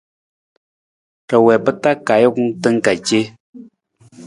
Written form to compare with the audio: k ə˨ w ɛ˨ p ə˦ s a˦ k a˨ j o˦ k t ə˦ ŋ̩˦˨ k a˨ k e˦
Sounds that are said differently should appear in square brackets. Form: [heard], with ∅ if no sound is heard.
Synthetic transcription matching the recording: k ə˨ w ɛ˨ p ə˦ [t] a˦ k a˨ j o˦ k t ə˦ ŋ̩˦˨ k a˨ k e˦